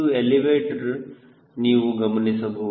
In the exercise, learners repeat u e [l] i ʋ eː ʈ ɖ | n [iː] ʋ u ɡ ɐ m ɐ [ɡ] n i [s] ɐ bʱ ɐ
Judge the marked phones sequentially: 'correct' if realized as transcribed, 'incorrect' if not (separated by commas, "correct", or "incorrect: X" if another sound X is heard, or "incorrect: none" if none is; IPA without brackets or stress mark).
correct, correct, incorrect: none, correct